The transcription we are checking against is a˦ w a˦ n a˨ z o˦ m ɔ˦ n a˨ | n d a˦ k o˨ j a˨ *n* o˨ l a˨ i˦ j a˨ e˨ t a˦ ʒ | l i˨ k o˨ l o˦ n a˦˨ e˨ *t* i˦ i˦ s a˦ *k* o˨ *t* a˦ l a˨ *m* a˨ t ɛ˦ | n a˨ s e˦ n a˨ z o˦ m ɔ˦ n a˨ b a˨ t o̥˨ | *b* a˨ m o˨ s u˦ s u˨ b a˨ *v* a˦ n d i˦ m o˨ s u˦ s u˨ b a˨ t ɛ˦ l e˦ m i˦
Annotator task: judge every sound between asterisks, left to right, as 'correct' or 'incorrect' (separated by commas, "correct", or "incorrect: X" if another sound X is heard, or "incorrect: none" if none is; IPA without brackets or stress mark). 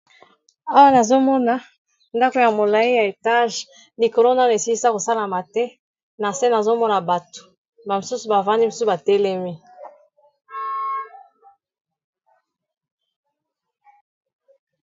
incorrect: m, incorrect: s, correct, incorrect: s, correct, correct, correct